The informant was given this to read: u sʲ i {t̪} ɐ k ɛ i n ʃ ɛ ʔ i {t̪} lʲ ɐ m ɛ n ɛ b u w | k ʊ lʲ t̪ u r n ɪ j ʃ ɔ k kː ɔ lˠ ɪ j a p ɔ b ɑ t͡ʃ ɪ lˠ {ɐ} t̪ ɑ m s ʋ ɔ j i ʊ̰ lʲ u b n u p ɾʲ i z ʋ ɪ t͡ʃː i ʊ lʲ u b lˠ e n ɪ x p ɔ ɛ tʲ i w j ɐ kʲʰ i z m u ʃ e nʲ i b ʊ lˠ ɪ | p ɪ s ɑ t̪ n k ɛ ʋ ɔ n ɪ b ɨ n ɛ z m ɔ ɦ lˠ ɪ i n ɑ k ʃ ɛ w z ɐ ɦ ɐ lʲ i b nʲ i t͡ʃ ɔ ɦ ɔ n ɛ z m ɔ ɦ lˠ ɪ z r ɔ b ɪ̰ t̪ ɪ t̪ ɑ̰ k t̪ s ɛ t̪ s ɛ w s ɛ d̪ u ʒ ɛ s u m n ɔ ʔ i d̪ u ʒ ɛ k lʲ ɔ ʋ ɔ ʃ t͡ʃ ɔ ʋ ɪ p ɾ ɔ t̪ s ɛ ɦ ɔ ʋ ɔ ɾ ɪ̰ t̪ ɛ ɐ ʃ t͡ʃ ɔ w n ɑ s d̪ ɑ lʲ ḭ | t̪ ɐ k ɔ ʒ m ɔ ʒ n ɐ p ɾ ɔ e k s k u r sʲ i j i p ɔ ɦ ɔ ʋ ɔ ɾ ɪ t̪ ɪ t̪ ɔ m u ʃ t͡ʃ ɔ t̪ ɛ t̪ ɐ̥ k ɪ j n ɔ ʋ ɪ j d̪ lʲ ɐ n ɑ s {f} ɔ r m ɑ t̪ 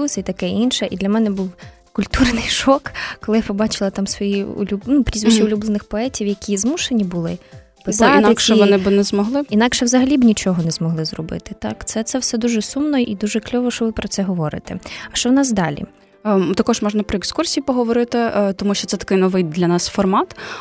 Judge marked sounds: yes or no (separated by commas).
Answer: yes, no, yes, yes